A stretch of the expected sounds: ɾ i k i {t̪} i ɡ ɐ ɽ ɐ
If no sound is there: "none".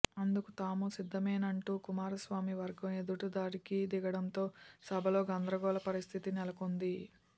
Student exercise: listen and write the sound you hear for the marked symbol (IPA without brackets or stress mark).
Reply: d̪